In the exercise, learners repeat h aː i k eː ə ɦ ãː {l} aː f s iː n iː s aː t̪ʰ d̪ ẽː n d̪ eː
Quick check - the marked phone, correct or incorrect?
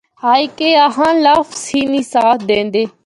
correct